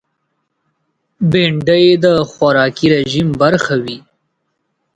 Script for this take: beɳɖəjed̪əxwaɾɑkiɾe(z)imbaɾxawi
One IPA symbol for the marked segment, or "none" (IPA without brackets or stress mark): ʒ